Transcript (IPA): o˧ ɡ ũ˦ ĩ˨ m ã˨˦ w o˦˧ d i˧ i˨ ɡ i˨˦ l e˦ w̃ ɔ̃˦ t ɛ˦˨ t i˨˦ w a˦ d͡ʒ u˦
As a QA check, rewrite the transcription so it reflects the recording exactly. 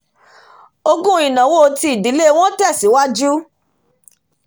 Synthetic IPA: o˧ ɡ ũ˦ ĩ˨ n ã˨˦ w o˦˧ t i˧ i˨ d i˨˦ l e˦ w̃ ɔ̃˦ t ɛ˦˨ s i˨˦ w a˦ d͡ʒ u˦